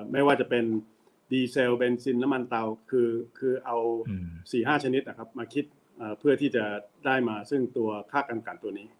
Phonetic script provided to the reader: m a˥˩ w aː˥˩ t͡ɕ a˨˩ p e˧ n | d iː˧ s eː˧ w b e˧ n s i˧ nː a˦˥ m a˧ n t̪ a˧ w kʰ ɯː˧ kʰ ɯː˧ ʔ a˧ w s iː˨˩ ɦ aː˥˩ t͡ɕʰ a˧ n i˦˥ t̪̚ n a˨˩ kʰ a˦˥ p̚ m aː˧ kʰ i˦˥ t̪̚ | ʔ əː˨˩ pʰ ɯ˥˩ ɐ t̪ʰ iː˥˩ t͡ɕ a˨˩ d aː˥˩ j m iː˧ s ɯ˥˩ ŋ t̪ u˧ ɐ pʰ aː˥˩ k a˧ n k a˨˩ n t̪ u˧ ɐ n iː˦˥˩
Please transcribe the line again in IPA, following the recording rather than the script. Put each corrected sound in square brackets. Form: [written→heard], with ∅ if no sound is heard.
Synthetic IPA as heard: m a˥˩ w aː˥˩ t͡ɕ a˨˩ p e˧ n | d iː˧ s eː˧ w b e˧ n s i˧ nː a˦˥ m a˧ n t̪ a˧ w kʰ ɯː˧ kʰ ɯː˧ ʔ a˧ w s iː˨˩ ɦ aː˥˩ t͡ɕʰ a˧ n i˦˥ t̪̚ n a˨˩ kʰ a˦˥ p̚ m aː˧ kʰ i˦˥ t̪̚ | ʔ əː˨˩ pʰ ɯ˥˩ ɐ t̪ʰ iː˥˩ t͡ɕ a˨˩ d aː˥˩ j m [iː˧→aː˧] s ɯ˥˩ ŋ t̪ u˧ ɐ [pʰ→kʰ] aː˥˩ k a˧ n k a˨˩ n t̪ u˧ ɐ n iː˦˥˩